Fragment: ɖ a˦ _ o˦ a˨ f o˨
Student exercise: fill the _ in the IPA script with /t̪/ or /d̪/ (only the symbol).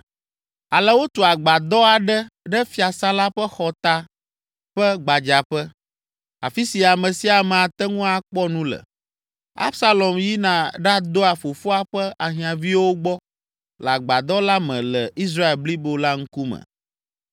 d̪